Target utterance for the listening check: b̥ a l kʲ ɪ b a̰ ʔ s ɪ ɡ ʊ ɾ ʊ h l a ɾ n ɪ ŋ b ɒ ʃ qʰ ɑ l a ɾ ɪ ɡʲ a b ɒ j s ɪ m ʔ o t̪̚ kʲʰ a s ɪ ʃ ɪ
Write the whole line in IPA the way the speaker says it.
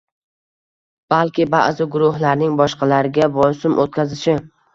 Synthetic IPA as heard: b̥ a l kʲ ɪ b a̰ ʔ z ɪ ɡ ʊ ɾ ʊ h l a ɾ n ɪ ŋ b ɒ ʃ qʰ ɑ l a ɾ ɪ ɡʲ a b ɒ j s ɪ m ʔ o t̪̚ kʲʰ a z ɪ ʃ ɪ